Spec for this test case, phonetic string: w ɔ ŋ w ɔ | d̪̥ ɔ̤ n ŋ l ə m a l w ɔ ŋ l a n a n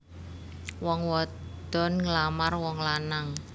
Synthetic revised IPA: w ɔ ŋ w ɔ | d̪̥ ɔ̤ n ŋ l a m a r w ɔ ŋ l a n a ŋ